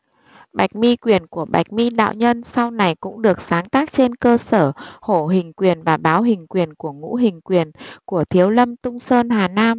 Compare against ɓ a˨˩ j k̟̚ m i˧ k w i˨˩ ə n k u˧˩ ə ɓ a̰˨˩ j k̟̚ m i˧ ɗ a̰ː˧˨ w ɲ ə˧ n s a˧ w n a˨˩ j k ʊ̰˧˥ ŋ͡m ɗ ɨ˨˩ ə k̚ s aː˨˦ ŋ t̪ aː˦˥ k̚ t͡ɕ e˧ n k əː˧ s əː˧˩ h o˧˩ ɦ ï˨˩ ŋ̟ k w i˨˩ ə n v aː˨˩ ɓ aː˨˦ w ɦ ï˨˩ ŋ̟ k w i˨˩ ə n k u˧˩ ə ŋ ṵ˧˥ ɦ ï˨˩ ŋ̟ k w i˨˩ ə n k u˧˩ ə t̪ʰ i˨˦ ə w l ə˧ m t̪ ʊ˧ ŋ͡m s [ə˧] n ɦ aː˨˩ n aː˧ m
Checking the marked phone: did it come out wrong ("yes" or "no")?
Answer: yes